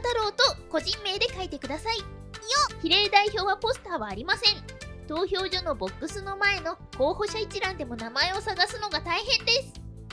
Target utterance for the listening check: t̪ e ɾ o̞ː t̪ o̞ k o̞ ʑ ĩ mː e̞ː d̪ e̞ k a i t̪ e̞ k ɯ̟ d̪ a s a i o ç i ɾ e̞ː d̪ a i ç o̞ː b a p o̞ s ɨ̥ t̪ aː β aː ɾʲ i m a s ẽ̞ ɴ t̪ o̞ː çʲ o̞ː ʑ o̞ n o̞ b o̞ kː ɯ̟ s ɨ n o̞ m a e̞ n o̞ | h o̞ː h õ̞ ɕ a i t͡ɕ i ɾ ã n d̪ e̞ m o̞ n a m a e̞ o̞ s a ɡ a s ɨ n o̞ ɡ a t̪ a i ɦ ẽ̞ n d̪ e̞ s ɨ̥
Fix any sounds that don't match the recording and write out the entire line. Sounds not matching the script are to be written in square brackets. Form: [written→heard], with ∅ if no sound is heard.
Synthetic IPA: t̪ [e→a] ɾ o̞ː t̪ o̞ k o̞ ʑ ĩ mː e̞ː d̪ e̞ k a i t̪ e̞ k ɯ̟ d̪ a s a i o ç i ɾ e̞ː d̪ a i ç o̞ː [b→β] a p o̞ s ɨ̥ t̪ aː β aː ɾʲ i m a s ẽ̞ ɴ t̪ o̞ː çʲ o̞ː ʑ o̞ n o̞ b o̞ kː ɯ̟ s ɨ n o̞ m a e̞ n o̞ | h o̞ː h [õ̞→o̞] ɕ a i t͡ɕ i ɾ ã n d̪ e̞ m o̞ n a m a e̞ o̞ s a ɡ a s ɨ n o̞ ɡ a t̪ a i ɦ ẽ̞ n d̪ e̞ s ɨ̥